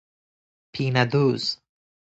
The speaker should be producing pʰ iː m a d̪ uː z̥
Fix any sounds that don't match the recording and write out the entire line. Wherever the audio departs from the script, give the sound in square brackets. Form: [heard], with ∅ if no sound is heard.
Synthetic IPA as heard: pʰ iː [n] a d̪ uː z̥